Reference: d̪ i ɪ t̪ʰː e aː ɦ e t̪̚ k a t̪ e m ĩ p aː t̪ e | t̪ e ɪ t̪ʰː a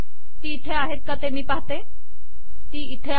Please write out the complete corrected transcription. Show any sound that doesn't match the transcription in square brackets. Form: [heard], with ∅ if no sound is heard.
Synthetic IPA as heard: [t̪] i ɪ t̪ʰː e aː ɦ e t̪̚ k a t̪ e m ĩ p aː t̪ e | t̪ [i] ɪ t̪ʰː [e]